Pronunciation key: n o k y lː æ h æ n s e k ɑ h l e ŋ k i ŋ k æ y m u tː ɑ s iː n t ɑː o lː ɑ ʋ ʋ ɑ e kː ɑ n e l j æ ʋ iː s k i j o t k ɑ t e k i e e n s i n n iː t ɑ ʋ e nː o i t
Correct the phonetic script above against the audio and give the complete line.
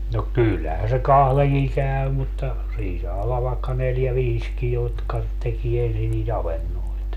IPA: n o k y lː æ h æ n s e k ɑ h l e ŋ k i ŋ k æ y m u tː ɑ s iː n s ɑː o lː ɑ ʋ ʋ ɑ e kː ɑ n e l j æ ʋ iː s k i j o t k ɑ t e k i e e n s i n n iː t ɑ ʋ e nː o i t